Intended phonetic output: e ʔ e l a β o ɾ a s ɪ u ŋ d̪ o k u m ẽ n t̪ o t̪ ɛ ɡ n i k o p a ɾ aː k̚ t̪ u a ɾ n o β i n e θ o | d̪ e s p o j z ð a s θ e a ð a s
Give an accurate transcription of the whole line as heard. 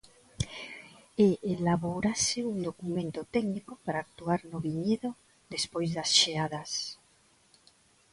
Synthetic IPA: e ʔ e l a β o ɾ a s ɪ u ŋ d̪ o k u m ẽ n t̪ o t̪ ɛ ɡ n i k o p a ɾ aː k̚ t̪ u a ɾ n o β i ɲ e ð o | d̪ e s p o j z ð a s ʃ e a ð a s